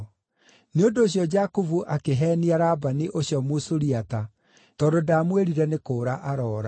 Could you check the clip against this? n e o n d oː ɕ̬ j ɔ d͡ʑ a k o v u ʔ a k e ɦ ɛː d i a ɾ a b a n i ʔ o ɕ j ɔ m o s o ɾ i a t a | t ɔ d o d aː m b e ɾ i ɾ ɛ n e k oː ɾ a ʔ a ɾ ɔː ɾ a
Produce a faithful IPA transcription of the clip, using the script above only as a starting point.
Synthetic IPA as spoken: n e o n d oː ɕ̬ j ɔ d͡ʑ a k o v u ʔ a k e ɦ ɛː n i a ɾ a b a n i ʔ o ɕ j ɔ m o s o ɾ i a t a | t ɔ d o d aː m w e ɾ i ɾ ɛ n e k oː ɾ a ʔ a ɾ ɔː ɾ a

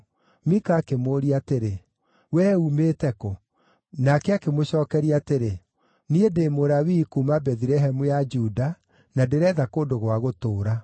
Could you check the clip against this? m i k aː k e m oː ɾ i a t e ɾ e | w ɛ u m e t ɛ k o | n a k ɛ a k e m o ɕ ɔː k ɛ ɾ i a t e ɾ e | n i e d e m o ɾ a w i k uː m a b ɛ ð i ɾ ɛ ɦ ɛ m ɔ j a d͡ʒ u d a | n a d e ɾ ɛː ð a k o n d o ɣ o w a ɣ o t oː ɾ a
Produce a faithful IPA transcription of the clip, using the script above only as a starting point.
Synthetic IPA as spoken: m i k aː k e m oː ɾ i a t e ɾ e | w ɛ u m e t ɛ k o | n a k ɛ a k e m o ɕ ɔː k ɛ ɾ i a t e ɾ e | n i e d e m o ɾ a w i k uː m a b ɛ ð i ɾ ɛ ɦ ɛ m u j a d͡ʒ u d a | n a d e ɾ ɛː ð a k o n d o ɣ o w a ɣ o t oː ɾ a

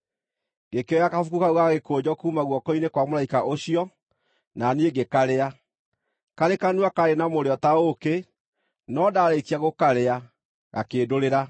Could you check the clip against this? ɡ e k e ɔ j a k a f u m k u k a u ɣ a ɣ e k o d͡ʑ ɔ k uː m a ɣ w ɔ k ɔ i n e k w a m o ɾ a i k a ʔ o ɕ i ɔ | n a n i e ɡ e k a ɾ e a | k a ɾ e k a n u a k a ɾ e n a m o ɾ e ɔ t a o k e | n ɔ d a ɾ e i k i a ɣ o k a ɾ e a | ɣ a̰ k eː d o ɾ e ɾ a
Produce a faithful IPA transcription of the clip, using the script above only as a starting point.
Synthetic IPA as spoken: ɡ e k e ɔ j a k a f u k u k a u ɣ a ɣ e k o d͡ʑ ɔ k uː m a ɣ w ɔ k ɔ i n e k w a m o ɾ a i k a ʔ o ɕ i ɔ | n a n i e ɡ e k a ɾ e a | k a ɾ e k a n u a k a ɾ e n a m o ɾ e ɔ t a o k e | n ɔ d a ɾ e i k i a ɣ o k a ɾ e a | ɣ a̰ k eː d o ɾ e ɾ a

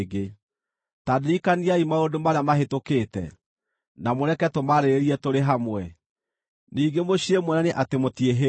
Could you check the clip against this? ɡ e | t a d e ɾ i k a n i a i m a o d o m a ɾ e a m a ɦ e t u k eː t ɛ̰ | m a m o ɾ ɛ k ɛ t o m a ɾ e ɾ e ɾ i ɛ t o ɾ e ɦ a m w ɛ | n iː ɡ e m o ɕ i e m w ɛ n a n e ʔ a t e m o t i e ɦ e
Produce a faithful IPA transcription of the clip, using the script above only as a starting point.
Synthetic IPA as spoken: ɡ e | t a d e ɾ i k a n i a i m a o d o m a ɾ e a m a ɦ e t o k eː t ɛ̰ | n a m o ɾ ɛ k ɛ t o m a ɾ e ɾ e ɾ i ɛ t o ɾ e ɦ a m w ɛ | n iː ɡ e m o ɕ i e m w ɛ n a n e ʔ a t e m o t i e ɦ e

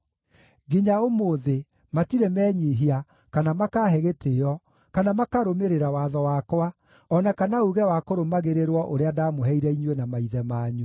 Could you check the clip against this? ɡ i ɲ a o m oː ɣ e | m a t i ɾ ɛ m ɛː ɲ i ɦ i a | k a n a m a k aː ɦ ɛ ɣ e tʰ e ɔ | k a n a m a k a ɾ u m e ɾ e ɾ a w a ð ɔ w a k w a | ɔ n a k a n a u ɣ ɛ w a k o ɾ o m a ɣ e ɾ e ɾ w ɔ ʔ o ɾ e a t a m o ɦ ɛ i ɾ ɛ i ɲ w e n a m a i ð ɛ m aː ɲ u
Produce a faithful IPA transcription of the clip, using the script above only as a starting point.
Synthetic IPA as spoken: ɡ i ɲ a o m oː ð e | m a t i ɾ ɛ m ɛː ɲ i ɦ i a | k a n a m a k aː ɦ ɛ ɣ e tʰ e ɔ | k a n a m a k a ɾ o m e ɾ e ɾ a w a ð ɔ w a k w a | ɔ n a k a n a u ɣ ɛ w a k o ɾ o m a ɣ e ɾ e ɾ w ɔ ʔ o ɾ e a d a m o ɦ ɛ i ɾ ɛ i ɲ w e n a m a i ð ɛ m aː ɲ u

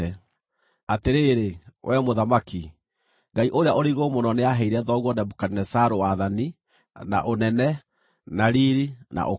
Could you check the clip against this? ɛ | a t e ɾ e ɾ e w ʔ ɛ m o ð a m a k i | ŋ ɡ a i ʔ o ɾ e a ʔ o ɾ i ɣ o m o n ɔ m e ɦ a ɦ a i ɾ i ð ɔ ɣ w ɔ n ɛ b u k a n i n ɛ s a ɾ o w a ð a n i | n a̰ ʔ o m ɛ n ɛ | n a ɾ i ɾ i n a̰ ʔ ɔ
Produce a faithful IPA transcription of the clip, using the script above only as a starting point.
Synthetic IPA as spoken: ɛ | a t e ɾ e ɾ e w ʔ ɛ m o ð a m a k i | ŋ ɡ a i ʔ o ɾ e a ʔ o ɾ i ɣ o m o n ɔ n e a ɦ ɛ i ɾ ɛ ð ɔ ɣ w ɔ n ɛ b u k a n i n ɛ s a ɾ o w a ð a n i | n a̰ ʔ o n ɛ n ɛ | n a ɾ i ɾ i n a̰ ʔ o

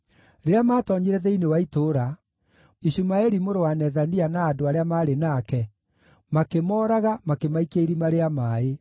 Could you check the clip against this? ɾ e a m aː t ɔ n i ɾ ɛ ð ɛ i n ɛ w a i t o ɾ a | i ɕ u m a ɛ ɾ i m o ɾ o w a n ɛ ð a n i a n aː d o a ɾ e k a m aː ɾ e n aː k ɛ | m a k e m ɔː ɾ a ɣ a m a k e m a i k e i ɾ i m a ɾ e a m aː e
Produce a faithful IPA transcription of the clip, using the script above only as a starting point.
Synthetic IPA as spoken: ɾ e a m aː t ɔ ɲ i ɾ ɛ ð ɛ i n e w a i t o ɾ a | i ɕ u m a ɛ ɾ i m o ɾ o w a n ɛ ð a n i a n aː d o a ɾ e a m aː ɾ e n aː k ɛ | m a k e m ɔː ɾ a ɣ a m a k e m a i k e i ɾ i m a ɾ e a m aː e

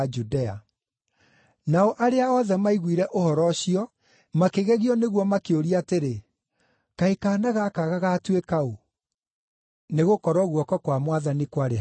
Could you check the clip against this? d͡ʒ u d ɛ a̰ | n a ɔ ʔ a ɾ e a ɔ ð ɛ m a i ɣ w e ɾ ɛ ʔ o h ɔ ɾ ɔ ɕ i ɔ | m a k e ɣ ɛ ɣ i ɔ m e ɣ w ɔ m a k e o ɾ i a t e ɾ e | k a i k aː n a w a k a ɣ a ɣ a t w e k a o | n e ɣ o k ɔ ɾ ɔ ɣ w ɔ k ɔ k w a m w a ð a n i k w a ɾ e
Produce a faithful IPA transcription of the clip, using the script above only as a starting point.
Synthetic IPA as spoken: d͡ʒ u d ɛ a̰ | n a ɔ ʔ a ɾ e a ɔ ð ɛ m a i ɣ w i ɾ ɛ ʔ o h ɔ ɾ ɔ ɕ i ɔ | m a k e ɣ ɛ ɣ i ɔ n e ɣ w ɔ m a k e o ɾ i a t e ɾ e | k a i k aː n a ɣ a k a ɣ a ɣ a t w e k a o | n e ɣ o k ɔ ɾ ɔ ɣ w ɔ k ɔ k w a m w a ð a n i k w a ɾ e

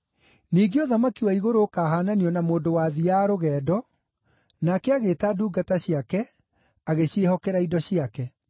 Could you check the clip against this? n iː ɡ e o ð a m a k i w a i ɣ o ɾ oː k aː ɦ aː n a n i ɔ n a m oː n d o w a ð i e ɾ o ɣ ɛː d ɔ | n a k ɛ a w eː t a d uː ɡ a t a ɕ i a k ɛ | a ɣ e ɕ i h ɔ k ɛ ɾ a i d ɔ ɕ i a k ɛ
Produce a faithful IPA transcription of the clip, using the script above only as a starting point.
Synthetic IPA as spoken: n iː ɡ e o ð a m a k i w a i ɣ o ɾ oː k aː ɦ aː n a n i ɔ n a m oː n d o w a ð i a ɾ o ɣ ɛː d ɔ | n a k ɛ a ɣ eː t a d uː ɡ a t a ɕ i a k ɛ | a ɣ e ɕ e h ɔ k ɛ ɾ a i d ɔ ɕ i a k ɛ

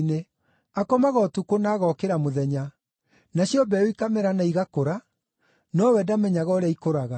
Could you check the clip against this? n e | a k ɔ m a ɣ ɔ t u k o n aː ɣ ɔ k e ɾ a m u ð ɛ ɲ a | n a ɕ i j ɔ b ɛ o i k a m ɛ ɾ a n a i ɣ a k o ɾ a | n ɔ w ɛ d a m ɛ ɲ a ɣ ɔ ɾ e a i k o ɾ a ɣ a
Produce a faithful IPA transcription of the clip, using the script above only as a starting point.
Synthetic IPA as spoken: n e | a k ɔ m a ɣ ɔ t u k o n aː ɣ ɔ k e ɾ a m o ð ɛ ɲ a | n a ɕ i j ɔ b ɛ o i k a m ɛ ɾ a n a i ɣ a k o ɾ a | n ɔ w ɛ d a m ɛ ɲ a ɣ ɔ ɾ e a i k o ɾ a ɣ a

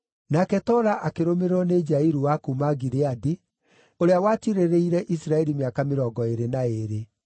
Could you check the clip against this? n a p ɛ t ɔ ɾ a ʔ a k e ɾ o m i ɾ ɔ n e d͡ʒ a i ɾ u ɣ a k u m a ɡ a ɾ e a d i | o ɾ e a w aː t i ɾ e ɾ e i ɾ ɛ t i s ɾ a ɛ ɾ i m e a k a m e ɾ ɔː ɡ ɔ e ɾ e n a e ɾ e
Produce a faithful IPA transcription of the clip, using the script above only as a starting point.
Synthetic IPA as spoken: n a k ɛ t ɔ ɾ a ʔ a k e ɾ o m e ɾ ɔ n e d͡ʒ a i ɾ u w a k u m a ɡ i ɾ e a d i | o ɾ e a w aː t i ɾ e ɾ e i ɾ ɛ ʔ i s ɾ a ɛ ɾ i m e a k a m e ɾ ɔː ɡ ɔ e ɾ e n a e ɾ e

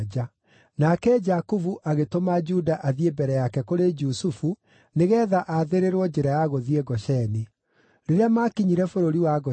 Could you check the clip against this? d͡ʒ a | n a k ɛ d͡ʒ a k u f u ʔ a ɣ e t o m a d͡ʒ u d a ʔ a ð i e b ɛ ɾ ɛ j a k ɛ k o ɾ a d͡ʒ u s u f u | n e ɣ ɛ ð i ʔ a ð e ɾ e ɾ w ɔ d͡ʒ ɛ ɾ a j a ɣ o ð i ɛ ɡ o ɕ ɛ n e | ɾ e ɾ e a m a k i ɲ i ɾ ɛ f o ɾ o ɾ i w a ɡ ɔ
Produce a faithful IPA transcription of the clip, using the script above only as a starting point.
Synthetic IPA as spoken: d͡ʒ a | n a k ɛ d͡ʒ a k u v u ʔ a ɣ e t o m a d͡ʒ u d a ʔ a ð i e b ɛ ɾ ɛ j a k ɛ k o ɾ e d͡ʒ u s u f u | n e ɣ ɛ ð a ʔ a ð e ɾ e ɾ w ɔ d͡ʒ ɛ ɾ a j a ɣ o ð i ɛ ɡ ɔ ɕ ɛ n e | ɾ e ɾ e a m a k i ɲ i ɾ ɛ f o ɾ o ɾ i w a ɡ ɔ

